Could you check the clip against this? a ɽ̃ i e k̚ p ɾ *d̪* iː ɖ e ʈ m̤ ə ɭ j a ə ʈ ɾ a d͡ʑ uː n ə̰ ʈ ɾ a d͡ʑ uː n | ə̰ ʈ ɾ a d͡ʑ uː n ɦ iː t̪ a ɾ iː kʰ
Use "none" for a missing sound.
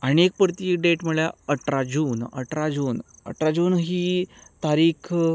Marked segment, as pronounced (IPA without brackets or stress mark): t̪